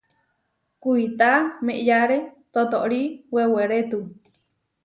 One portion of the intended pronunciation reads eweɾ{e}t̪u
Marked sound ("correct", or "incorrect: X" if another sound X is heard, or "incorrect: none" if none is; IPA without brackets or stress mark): correct